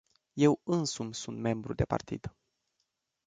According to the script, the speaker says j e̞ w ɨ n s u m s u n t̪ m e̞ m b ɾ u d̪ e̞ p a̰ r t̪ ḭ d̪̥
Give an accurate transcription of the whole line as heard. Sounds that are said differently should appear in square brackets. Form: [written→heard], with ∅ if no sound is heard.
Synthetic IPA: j e̞ w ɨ n s u m s u n t̪ m e̞ m b ɾ u d̪ e̞ p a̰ r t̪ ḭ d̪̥